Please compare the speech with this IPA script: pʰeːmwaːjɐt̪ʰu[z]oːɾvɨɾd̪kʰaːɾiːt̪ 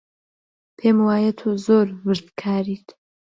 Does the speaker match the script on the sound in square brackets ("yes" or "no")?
yes